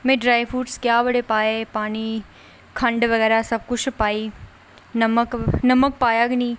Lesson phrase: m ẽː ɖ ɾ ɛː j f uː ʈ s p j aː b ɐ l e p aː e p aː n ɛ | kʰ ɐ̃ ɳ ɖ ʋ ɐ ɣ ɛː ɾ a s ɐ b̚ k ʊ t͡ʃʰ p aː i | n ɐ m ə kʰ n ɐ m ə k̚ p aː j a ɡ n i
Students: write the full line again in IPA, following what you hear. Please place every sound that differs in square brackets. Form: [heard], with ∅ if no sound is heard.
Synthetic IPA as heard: m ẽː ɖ ɾ [aː] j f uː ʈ s [k] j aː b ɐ [ɽ] e p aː e p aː n [i] | kʰ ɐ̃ ɳ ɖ ʋ ɐ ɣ ɛː ɾ a s ɐ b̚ k ʊ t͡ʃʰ p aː i | n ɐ m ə [k] n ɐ m ə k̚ p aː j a ɡ n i